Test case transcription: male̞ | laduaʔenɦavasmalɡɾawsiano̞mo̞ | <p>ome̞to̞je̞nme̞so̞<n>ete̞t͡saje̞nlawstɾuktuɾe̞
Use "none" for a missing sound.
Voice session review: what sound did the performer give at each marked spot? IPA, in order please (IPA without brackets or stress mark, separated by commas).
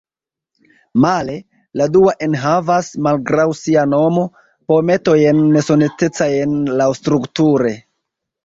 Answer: p, n